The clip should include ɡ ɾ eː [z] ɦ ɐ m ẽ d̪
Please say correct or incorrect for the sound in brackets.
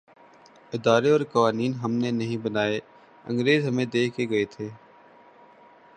correct